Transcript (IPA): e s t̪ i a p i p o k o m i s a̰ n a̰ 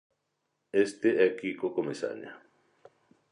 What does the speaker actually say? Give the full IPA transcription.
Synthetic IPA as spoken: e s t̪ e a k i k o k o m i s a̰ ɲ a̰